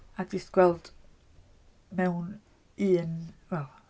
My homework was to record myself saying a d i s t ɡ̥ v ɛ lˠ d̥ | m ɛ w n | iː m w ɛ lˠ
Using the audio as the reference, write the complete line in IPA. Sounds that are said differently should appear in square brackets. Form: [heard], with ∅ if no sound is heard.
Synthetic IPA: a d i s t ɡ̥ [w] ɛ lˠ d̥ | m ɛ w n | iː [n] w ɛ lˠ